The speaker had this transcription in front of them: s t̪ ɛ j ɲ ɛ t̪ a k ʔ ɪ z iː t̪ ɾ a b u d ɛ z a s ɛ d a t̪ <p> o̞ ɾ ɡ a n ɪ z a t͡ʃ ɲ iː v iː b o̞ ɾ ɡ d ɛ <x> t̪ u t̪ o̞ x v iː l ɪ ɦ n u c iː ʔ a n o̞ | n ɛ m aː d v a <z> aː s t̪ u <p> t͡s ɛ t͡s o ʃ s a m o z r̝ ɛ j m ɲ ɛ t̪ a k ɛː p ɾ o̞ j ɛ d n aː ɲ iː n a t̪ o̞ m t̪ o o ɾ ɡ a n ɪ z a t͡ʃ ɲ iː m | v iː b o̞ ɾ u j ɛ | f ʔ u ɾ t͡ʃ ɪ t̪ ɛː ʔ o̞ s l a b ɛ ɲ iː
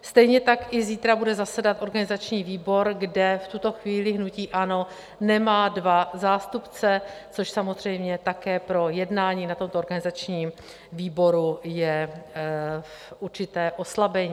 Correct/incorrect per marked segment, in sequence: incorrect, incorrect, correct, correct

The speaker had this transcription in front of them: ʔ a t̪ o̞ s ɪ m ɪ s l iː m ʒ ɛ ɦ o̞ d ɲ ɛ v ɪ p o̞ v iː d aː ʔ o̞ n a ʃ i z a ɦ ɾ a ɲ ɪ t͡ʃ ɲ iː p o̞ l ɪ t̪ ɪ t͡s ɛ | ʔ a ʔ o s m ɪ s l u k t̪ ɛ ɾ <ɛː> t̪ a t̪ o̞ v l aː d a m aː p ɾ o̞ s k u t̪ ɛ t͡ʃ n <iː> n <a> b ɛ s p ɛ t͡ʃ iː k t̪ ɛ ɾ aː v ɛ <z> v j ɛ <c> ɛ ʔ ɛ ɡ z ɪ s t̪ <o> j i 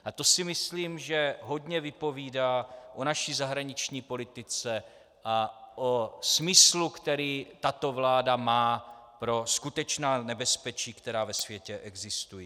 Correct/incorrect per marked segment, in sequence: incorrect, incorrect, incorrect, incorrect, correct, incorrect

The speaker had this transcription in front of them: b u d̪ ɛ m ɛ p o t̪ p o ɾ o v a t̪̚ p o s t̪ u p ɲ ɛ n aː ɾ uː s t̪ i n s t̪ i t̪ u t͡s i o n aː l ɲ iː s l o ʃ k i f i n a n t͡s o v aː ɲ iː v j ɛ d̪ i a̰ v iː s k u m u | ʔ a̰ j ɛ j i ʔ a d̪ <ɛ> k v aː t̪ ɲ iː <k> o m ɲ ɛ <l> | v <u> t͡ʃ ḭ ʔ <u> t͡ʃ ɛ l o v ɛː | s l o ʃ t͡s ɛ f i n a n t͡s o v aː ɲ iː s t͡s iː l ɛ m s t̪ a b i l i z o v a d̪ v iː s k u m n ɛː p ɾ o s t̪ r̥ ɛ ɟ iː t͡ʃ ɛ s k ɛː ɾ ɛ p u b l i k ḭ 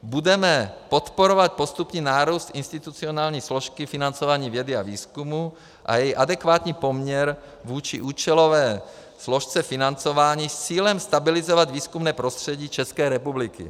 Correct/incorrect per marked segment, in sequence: correct, incorrect, incorrect, incorrect, incorrect

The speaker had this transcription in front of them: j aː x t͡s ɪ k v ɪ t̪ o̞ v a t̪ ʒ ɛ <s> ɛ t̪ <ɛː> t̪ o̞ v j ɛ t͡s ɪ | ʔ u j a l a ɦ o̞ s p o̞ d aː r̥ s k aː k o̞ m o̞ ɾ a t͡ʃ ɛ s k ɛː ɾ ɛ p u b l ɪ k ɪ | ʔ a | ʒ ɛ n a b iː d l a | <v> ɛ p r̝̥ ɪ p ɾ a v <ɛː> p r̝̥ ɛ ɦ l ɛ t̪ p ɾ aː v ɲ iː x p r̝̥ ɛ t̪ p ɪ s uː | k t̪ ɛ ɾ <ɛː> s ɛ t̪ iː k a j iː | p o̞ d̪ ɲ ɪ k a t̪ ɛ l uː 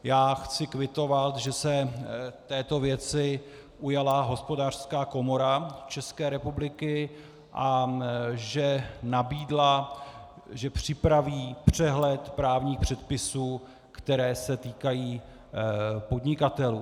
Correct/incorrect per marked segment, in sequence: correct, correct, incorrect, incorrect, correct

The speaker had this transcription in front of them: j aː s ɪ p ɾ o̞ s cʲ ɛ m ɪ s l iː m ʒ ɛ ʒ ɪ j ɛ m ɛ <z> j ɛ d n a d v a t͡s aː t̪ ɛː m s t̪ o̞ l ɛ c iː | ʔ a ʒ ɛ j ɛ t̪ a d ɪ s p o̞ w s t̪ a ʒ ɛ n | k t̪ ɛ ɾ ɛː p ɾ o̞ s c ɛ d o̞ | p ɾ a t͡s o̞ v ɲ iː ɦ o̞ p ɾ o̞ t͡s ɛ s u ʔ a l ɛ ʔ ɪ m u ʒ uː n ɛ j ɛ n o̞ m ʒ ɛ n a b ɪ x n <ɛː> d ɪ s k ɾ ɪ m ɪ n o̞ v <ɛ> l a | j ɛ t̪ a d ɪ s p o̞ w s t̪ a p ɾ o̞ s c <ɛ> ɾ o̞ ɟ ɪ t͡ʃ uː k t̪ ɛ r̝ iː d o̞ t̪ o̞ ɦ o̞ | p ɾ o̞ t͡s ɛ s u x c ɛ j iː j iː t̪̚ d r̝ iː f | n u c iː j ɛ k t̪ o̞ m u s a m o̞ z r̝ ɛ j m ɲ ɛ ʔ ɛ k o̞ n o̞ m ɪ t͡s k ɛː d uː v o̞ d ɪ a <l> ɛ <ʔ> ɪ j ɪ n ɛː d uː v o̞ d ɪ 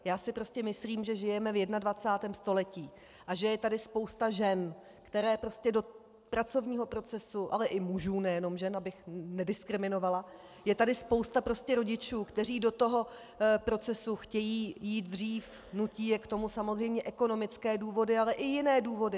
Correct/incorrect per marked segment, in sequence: incorrect, incorrect, incorrect, correct, correct, correct

